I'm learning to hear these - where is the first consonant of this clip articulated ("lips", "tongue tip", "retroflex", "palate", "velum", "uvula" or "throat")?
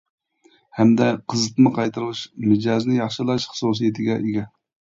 throat